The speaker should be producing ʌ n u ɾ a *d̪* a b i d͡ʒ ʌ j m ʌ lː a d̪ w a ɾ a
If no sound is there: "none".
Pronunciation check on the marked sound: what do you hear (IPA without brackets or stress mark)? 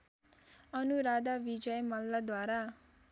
d̪